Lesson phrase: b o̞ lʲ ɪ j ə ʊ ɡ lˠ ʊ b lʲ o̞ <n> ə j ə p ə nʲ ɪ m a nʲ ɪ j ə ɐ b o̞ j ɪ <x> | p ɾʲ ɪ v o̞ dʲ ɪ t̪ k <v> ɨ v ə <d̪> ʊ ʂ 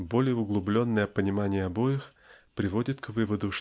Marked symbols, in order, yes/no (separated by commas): no, yes, yes, yes